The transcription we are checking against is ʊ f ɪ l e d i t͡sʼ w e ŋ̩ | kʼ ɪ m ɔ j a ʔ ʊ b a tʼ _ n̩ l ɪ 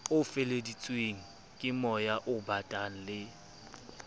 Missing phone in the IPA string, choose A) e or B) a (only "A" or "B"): B